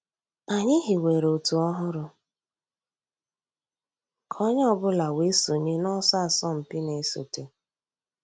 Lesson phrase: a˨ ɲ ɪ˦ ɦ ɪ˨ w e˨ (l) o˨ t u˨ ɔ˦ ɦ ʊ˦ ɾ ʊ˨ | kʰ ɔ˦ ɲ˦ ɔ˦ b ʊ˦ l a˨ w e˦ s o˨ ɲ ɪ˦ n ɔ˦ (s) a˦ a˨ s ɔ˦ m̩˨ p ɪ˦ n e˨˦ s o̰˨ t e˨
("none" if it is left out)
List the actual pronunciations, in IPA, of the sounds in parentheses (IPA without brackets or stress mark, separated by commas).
ɾ, s